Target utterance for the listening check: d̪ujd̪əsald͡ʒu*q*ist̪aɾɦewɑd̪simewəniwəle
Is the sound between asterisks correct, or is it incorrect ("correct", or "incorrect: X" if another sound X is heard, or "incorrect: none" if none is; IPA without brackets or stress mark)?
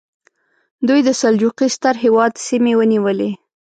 correct